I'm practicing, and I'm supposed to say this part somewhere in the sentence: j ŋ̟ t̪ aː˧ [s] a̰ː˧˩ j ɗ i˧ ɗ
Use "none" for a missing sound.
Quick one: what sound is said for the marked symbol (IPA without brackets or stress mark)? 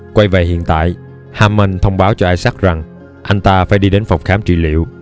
f